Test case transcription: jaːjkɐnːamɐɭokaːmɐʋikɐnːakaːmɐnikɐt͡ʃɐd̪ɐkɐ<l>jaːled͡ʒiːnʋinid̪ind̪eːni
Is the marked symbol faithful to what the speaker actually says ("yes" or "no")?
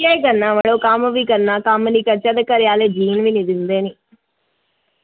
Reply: no